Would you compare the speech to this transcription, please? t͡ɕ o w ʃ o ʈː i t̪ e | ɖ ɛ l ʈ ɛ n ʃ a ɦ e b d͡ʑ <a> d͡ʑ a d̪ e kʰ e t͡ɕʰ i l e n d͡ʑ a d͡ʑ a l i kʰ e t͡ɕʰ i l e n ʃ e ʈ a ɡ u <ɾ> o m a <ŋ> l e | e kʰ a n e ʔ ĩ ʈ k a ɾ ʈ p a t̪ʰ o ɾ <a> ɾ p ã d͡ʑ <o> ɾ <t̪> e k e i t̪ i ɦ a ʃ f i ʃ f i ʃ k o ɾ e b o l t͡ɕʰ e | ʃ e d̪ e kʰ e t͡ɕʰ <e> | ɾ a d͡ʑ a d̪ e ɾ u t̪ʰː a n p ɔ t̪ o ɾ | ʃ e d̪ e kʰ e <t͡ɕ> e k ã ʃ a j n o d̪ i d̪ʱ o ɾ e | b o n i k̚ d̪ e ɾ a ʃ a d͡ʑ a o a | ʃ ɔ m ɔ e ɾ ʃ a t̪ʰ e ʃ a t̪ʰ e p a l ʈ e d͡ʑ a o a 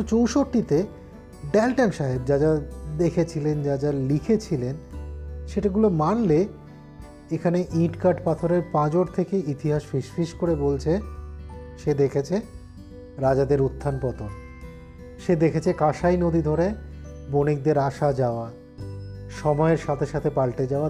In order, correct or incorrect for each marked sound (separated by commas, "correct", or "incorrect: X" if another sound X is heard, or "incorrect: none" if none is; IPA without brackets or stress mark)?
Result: correct, incorrect: l, incorrect: n, incorrect: e, correct, incorrect: t̪ʰ, correct, incorrect: t͡ɕʰ